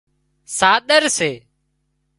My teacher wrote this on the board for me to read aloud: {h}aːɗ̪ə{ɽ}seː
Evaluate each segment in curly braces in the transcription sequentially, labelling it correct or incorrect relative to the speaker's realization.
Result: incorrect, incorrect

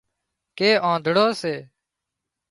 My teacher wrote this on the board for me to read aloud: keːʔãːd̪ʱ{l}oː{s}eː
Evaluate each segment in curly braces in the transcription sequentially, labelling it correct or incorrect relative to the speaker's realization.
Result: incorrect, correct

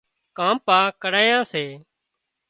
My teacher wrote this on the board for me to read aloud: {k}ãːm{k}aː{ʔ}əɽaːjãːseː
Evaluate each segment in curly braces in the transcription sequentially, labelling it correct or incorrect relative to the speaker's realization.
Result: correct, incorrect, incorrect

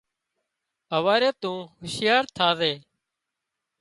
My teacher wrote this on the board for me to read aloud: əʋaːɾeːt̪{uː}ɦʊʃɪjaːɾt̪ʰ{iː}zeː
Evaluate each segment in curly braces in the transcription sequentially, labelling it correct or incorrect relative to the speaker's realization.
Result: incorrect, incorrect

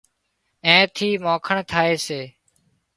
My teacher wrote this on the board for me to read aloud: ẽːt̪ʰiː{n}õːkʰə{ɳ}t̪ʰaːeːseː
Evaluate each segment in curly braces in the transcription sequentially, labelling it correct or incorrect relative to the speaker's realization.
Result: incorrect, correct

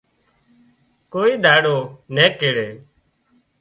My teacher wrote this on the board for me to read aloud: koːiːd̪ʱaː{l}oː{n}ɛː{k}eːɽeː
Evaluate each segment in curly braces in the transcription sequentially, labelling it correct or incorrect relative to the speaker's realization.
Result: incorrect, correct, correct

